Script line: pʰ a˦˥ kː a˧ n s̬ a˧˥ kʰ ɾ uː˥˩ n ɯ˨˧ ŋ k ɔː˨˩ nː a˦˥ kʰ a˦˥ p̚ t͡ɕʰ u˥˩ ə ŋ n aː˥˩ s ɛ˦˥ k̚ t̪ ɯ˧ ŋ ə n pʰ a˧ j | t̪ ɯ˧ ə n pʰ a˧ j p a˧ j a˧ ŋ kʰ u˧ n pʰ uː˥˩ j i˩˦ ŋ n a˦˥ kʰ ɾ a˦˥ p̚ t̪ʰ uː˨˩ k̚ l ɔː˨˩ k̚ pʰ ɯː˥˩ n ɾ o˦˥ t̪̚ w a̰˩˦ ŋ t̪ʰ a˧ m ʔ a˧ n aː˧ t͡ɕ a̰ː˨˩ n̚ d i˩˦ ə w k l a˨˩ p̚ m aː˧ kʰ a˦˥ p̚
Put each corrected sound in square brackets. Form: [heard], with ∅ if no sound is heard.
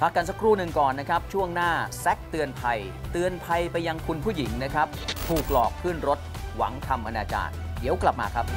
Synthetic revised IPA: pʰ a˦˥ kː a˧ n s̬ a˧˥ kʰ ɾ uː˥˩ n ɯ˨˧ ŋ k ɔː˨˩ nː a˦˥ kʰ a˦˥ p̚ t͡ɕʰ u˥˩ ə ŋ n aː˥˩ s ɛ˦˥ k̚ t̪ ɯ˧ [∅] ə n pʰ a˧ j | t̪ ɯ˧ ə n pʰ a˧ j p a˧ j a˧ ŋ kʰ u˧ n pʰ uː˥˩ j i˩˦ ŋ n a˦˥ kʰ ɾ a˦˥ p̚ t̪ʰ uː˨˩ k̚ l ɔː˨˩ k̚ pʰ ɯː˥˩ n ɾ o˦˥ t̪̚ w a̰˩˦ ŋ t̪ʰ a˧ m ʔ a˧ n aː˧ t͡ɕ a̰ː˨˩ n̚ d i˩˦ ə w k l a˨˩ p̚ m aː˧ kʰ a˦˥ p̚